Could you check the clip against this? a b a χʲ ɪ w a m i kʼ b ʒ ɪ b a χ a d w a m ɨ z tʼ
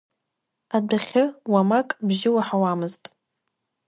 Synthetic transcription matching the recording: a d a χʲ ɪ w a m a kʼ b ʒ ɪ w a ħ a w a m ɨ z tʼ